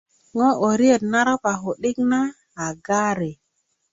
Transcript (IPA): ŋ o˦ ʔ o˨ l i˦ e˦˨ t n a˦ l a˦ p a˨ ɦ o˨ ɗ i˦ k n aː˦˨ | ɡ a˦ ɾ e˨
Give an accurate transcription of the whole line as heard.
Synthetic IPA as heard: ŋ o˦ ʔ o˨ ɾ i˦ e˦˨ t n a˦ ɾ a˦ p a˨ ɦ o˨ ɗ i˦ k n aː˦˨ | ɡ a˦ ɾ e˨